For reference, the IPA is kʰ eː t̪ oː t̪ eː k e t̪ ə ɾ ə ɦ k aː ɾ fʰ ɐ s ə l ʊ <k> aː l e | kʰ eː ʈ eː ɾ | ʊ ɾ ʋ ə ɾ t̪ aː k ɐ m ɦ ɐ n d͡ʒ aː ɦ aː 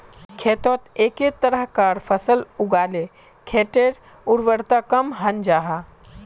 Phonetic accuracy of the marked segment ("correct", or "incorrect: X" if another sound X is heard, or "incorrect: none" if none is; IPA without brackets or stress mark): incorrect: ɡ